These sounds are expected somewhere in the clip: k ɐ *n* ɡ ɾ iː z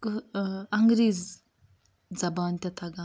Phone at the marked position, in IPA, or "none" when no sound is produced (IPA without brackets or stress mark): ŋ